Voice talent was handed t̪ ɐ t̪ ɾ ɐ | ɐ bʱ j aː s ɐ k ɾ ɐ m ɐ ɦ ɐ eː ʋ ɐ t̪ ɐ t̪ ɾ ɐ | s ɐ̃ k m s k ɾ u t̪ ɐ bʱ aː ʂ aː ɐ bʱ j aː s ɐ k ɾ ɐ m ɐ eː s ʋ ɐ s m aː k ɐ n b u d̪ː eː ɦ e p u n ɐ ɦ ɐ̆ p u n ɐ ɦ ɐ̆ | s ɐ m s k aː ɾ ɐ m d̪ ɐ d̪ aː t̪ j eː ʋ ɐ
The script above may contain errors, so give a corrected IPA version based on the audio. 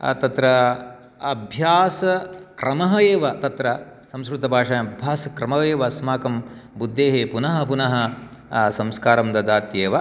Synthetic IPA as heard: t̪ ɐ t̪ ɾ ɐ | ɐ bʱ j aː s ɐ k ɾ ɐ m ɐ ɦ ɐ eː ʋ ɐ t̪ ɐ t̪ ɾ ɐ | s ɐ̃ m s k ɾ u t̪ ɐ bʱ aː ʂ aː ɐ bʱ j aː s ɐ k ɾ ɐ m ɐ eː ʋ ɐ s m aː k ɐ m b u d̪ː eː ɦ e p u n ɐ ɦ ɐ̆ p u n ɐ ɦ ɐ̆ | s ɐ m s k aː ɾ ɐ m d̪ ɐ d̪ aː t̪ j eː ʋ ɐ